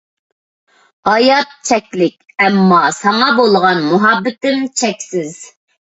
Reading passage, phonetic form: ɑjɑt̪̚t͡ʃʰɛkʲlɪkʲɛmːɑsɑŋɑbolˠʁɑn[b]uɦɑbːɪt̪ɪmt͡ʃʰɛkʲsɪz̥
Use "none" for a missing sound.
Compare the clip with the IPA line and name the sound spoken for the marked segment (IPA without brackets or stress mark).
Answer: m